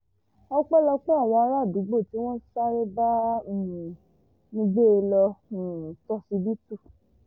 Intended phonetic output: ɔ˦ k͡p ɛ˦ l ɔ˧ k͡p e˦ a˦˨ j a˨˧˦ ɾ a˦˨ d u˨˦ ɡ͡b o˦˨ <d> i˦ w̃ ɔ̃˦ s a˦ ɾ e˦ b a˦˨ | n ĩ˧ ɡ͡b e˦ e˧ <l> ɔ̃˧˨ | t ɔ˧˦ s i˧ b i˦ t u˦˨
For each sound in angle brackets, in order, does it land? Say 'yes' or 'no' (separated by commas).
no, yes